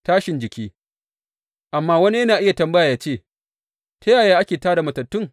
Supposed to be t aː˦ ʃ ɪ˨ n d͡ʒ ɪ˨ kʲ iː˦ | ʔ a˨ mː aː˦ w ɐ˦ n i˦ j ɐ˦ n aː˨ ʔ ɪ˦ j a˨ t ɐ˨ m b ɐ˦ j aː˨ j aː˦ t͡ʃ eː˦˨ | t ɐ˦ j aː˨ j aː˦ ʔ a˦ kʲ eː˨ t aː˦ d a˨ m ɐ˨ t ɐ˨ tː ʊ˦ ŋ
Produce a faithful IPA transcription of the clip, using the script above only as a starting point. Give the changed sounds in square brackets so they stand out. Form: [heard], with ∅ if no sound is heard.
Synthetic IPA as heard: t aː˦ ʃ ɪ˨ n d͡ʒ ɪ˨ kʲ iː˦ | ʔ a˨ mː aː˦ w ɐ˦ n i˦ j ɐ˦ n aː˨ ʔ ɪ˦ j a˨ t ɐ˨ m b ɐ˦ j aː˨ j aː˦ t͡ʃ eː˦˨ | t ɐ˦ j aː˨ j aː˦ ʔ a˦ kʲ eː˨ t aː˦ d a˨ m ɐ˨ t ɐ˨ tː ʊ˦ ŋ